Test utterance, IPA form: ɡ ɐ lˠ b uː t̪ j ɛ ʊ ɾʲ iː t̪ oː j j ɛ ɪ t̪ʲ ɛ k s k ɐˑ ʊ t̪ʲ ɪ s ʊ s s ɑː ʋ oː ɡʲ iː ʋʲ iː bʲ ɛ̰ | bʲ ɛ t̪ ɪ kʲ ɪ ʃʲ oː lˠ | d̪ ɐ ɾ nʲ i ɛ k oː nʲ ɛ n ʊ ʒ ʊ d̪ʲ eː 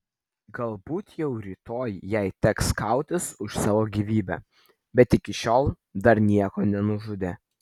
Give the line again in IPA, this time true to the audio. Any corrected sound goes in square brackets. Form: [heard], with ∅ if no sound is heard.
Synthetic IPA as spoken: ɡ ɐ lˠ b uː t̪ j ɛ ʊ ɾʲ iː t̪ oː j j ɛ ɪ t̪ʲ ɛ k s k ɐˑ ʊ t̪ʲ ɪ s ʊ [ʃ] s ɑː ʋ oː ɡʲ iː ʋʲ iː bʲ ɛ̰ | bʲ ɛ t̪ ɪ kʲ ɪ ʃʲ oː lˠ | d̪ ɐ ɾ nʲ i ɛ k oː nʲ ɛ n ʊ ʒ ʊ d̪ʲ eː